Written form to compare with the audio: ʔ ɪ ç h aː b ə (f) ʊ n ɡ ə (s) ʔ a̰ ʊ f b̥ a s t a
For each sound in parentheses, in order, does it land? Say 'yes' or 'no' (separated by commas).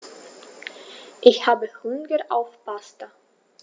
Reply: no, no